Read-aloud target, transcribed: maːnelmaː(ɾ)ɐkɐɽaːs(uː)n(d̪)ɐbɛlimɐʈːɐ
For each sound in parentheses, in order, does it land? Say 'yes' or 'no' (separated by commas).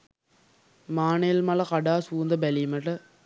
no, yes, yes